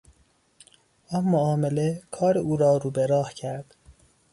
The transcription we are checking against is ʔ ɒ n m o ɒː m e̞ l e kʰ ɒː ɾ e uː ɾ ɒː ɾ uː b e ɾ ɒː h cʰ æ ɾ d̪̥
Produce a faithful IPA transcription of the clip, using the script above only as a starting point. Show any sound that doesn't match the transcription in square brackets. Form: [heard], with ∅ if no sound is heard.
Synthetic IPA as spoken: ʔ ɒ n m o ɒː m e̞ l e kʰ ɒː ɾ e uː ɾ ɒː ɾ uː b e ɾ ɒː h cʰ æ ɾ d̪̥